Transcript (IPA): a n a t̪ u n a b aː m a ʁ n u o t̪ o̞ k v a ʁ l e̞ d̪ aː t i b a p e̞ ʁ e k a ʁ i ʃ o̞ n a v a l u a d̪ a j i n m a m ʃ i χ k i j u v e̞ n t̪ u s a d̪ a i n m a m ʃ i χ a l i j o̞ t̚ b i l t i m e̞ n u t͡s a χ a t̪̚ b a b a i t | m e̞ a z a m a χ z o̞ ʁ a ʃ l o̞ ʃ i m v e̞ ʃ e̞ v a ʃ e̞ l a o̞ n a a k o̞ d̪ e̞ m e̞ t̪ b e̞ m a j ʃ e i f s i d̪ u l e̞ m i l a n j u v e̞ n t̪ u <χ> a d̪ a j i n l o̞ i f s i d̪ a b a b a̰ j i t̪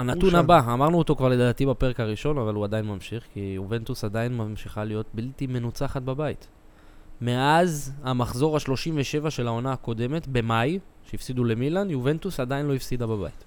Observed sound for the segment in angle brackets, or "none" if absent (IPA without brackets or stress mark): s